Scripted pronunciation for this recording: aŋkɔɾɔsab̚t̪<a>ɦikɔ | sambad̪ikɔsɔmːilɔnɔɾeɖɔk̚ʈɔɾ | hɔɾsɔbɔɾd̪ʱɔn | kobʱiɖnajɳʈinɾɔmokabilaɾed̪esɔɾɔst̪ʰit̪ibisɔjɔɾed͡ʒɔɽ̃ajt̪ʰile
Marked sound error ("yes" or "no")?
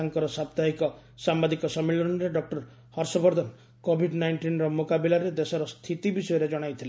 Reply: no